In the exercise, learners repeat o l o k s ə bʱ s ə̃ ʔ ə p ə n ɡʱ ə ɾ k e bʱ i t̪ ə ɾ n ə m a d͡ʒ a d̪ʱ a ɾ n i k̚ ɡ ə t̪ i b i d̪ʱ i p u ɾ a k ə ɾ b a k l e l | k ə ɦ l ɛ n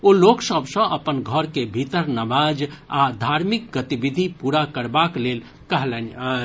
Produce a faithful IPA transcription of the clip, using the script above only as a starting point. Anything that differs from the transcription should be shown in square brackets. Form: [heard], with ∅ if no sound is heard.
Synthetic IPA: o l o k s ə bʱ s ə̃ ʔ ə p ə n ɡʱ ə ɾ k e bʱ i t̪ ə ɾ n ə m a d͡ʒ a d̪ʱ a ɾ [m] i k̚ ɡ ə t̪ i b i d̪ʱ i p u ɾ a k ə ɾ b a k l e l | k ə ɦ l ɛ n